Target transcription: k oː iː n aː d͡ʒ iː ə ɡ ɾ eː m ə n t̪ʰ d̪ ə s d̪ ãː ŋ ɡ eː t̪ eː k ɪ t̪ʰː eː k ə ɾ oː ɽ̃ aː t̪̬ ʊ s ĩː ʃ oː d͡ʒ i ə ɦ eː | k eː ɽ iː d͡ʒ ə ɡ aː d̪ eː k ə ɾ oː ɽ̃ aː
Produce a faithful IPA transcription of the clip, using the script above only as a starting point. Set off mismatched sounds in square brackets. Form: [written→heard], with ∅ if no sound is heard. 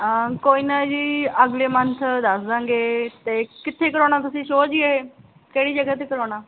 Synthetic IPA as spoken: k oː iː n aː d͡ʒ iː ə ɡ [ɾ→l] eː m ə n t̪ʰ d̪ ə s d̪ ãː ŋ ɡ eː t̪ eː k ɪ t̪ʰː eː k ə ɾ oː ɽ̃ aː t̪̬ ʊ s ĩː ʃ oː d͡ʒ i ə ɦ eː | k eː ɽ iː d͡ʒ ə ɡ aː [d̪→t̪] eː k ə ɾ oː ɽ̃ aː